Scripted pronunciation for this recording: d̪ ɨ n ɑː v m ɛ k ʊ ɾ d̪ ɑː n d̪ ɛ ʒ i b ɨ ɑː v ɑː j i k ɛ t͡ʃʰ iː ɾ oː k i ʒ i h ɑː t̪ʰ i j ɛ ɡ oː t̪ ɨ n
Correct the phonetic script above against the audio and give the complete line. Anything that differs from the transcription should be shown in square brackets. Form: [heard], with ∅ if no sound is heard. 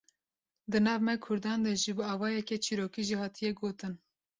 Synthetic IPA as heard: d̪ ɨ n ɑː v m ɛ [kʰ] ʊ ɾ d̪ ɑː n d̪ ɛ ʒ i b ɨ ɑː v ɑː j [ɛ] k ɛ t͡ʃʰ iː ɾ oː k i ʒ i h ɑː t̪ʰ i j ɛ ɡ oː t̪ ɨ n